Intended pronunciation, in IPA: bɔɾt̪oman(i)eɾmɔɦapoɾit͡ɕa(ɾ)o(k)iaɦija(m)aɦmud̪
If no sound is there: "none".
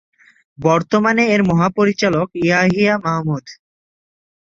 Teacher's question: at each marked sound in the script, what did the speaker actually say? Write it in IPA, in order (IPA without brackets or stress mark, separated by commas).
e, l, k, m